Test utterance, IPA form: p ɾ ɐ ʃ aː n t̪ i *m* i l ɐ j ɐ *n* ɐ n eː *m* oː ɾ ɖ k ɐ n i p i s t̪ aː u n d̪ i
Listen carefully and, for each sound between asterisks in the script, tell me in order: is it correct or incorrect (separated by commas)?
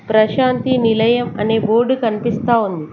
incorrect, incorrect, incorrect